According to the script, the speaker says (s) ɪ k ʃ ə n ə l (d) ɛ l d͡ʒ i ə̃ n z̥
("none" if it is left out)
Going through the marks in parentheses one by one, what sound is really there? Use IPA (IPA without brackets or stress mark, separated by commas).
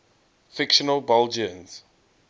f, b